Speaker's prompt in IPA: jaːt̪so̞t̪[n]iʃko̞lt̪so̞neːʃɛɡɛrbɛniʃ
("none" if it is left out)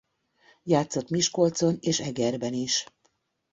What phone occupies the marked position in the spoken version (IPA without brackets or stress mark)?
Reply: m